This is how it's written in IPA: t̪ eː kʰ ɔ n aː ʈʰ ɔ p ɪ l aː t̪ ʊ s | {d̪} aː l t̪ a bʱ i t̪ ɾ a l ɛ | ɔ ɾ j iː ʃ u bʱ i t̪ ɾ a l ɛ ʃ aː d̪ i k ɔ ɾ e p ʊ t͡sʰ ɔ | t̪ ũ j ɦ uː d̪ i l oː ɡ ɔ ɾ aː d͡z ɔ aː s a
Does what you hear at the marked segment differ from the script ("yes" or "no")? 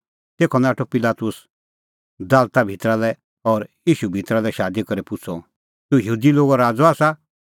no